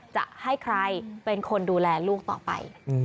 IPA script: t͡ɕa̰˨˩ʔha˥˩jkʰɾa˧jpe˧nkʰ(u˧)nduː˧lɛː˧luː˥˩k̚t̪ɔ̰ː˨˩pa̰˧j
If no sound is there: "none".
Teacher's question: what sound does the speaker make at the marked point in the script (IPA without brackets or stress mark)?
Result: o˧